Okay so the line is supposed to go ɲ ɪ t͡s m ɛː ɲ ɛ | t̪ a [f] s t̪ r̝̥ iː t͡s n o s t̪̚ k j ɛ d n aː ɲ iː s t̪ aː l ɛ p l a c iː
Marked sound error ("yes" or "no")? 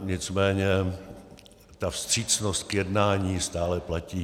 no